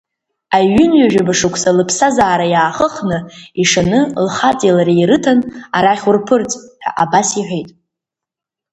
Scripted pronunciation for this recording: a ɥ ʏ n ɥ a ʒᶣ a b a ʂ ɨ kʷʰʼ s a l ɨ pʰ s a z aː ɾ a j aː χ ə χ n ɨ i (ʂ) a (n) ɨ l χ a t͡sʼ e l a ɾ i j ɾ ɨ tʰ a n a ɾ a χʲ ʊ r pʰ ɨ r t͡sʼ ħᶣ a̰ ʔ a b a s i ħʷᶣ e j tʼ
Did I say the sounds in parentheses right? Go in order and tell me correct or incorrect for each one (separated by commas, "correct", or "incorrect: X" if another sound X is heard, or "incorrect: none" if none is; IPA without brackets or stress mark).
correct, correct